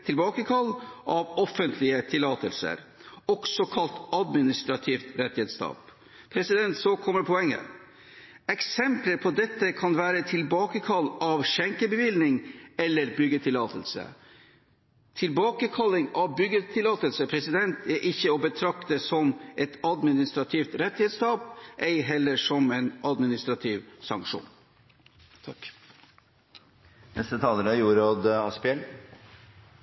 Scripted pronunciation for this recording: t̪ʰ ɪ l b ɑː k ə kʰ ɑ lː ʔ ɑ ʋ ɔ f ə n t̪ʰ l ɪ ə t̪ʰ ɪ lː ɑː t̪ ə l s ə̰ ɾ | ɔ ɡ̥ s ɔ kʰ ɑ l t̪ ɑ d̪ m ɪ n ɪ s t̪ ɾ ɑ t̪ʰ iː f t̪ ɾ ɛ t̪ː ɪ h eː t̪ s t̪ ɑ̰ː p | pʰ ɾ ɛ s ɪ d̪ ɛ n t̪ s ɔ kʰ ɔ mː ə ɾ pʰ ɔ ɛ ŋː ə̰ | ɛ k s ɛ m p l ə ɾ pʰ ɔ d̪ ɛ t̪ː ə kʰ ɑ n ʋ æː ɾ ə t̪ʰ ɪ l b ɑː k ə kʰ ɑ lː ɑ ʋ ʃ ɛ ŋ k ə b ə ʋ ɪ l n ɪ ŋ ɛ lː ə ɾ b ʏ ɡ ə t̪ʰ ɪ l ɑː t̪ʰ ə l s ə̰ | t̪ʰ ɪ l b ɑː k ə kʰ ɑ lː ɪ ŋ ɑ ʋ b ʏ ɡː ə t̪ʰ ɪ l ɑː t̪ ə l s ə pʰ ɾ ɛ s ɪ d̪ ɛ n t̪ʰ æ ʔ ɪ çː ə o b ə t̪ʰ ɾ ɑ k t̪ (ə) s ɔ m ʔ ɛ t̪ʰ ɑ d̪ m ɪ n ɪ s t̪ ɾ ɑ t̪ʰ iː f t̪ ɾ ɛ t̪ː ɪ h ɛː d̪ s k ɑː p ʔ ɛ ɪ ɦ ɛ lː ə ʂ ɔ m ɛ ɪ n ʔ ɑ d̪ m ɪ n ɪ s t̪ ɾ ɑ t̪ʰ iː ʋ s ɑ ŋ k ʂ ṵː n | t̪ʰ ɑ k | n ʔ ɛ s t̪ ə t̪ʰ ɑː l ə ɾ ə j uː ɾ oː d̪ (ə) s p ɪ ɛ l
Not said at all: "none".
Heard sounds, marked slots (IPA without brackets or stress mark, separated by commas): ə, ɑ